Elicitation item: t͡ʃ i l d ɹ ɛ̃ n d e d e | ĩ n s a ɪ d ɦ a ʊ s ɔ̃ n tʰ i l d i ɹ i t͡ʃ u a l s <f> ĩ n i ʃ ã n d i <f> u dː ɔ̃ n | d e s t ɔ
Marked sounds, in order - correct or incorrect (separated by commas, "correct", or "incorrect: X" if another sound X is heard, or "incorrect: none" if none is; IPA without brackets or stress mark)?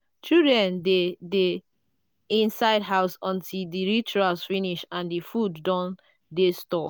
correct, correct